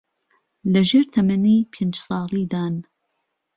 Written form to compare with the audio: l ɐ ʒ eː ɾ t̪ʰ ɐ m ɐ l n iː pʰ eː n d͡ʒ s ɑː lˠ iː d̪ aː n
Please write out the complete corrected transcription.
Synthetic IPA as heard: l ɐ ʒ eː ɾ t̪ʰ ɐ m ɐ n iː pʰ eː n d͡ʒ s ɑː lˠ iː d̪ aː n

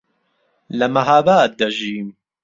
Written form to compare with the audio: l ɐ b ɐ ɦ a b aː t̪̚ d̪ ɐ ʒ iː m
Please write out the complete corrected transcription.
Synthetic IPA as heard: l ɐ m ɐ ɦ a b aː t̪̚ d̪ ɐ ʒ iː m

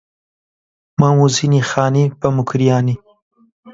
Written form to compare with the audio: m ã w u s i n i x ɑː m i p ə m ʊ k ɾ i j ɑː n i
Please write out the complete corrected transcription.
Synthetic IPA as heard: m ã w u z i n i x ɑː n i p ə m ʊ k ɾ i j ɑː n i

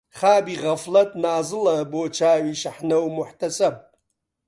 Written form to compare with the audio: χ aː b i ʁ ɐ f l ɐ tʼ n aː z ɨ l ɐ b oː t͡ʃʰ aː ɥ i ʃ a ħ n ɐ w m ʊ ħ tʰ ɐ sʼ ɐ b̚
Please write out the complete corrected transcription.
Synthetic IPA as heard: χ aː b i ʁ ɐ f l ɐ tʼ n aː z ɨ l ɐ b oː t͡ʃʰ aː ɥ i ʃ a ħ n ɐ w m ʊ ħ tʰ ɐ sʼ ɐ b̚

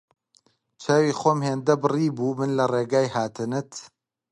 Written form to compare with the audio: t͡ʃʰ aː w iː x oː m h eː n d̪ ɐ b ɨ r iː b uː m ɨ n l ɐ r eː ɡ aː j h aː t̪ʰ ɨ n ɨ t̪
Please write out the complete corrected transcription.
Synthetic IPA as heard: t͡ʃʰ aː w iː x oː m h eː n d̪ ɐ b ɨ r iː b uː m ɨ n l ɐ r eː ɡ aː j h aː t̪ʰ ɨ n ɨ t̪

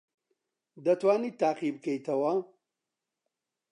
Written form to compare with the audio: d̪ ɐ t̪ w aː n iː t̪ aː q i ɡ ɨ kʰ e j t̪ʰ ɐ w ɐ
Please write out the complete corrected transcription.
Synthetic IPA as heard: d̪ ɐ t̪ w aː n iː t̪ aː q i b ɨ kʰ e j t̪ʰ ɐ w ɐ

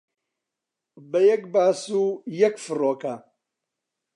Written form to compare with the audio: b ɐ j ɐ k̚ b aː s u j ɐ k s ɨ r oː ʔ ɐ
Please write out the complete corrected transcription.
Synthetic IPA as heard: b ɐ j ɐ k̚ b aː s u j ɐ k f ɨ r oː k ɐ

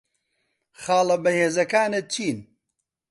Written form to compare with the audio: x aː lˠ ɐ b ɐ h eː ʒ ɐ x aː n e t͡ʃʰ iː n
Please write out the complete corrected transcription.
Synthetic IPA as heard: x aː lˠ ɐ b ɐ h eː z ɐ k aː n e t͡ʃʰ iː n

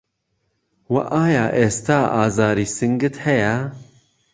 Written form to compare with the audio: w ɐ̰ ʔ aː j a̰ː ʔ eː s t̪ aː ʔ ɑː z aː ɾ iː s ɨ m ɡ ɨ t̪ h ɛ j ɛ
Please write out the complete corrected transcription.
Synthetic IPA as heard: w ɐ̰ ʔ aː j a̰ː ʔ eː s t̪ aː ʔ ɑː z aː ɾ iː s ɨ ŋ ɡ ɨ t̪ h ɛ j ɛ

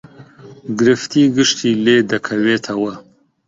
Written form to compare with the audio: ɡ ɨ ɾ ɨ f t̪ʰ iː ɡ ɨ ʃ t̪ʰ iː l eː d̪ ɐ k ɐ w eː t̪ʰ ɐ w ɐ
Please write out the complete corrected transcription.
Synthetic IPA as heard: ɡ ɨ ɾ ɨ f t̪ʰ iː ɡ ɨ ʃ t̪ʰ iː l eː d̪ ɐ kʰ ɐ w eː t̪ʰ ɐ w ɐ

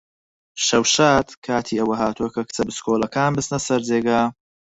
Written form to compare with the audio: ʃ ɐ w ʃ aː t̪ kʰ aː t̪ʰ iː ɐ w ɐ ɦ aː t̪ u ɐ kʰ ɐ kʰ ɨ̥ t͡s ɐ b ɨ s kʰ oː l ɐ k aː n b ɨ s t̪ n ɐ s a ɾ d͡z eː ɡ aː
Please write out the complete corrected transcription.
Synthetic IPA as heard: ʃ ɐ w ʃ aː t̪ kʰ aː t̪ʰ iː ɐ w ɐ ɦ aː t̪ u ɐ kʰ ɐ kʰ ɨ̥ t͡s ɐ b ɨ s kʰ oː l ɐ k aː n b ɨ s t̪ n ɐ s ɐ ɾ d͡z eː ɡ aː

